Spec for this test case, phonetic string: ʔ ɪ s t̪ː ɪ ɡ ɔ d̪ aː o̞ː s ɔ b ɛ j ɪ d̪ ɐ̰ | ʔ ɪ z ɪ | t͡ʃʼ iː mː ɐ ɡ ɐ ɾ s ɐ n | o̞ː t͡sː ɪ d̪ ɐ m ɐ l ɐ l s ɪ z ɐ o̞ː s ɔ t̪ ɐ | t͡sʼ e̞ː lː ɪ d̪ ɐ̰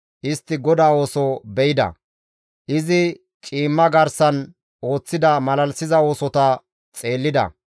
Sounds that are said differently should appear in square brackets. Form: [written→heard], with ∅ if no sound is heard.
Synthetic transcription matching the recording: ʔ ɪ s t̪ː ɪ ɡ ɔ d̪ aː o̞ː s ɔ b ɛ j ɪ d̪ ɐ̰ | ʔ ɪ z ɪ | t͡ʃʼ iː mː ɐ ɡ ɐ ɾ s ɐ n | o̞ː t͡sː ɪ d̪ ɐ m ɐ l ɐ l s ɪ z ɐ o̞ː s ɔ t̪ ɐ | t͡sʼ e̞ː lː ɪ d̪ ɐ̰